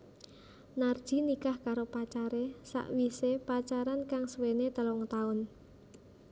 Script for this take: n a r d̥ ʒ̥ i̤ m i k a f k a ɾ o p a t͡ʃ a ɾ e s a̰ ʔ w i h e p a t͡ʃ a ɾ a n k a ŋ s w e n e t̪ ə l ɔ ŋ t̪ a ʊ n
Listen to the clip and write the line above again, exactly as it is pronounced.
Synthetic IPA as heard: n a r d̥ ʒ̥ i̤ n i k a h k a ɾ o p a t͡ʃ a ɾ e s a̰ ʔ w i s e p a t͡ʃ a ɾ a n k a ŋ s w e n e t̪ ə l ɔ ŋ t̪ a ʊ n